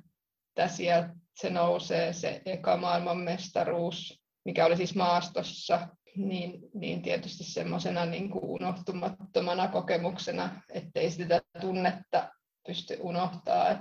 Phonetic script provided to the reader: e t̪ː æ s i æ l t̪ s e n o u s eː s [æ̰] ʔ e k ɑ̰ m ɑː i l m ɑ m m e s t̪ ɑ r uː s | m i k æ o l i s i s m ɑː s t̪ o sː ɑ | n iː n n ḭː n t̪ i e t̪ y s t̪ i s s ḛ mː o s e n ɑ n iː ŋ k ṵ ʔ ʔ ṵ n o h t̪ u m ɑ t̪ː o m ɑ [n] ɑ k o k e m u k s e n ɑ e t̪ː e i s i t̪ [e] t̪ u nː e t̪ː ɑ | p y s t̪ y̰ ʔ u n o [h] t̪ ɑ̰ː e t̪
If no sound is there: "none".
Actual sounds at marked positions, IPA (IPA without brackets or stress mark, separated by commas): ḛ, n, æ, h